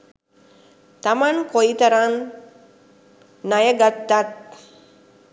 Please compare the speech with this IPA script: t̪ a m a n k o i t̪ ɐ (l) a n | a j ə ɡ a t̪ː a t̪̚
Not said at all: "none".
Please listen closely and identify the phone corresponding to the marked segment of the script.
ɾ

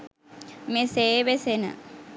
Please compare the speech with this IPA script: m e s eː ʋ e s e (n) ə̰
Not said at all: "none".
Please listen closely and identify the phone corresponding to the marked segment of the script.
n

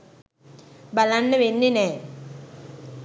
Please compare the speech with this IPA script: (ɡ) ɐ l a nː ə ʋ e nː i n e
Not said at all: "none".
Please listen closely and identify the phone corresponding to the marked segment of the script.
b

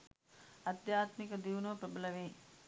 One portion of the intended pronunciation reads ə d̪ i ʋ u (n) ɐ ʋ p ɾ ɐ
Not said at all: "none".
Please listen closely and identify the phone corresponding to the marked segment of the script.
n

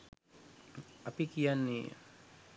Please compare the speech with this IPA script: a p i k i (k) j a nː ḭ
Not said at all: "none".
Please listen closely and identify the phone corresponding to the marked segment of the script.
none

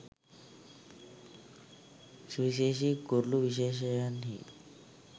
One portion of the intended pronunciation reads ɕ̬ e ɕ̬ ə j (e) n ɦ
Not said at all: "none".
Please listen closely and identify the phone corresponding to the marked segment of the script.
a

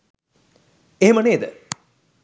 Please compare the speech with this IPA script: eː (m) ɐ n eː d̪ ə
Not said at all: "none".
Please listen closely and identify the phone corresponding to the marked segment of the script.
m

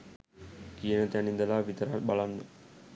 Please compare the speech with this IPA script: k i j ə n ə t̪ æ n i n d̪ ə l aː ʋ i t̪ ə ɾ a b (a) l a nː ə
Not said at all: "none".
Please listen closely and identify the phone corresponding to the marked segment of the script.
a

